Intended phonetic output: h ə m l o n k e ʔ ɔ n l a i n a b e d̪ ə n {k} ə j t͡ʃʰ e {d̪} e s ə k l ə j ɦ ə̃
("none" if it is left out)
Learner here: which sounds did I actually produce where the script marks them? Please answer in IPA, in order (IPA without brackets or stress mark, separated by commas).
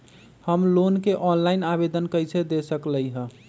k, d̪